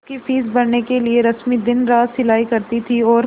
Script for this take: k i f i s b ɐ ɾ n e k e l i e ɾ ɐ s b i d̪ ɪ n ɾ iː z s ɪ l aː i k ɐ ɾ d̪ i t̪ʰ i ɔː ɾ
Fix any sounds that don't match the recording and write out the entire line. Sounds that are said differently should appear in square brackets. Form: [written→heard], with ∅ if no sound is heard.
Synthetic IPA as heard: k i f [i→iː] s b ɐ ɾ n e k e l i e ɾ ɐ s [b→m] i d̪ ɪ n ɾ [iː→aː] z s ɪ l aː i k ɐ ɾ [d̪→t̪] i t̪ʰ i ɔː ɾ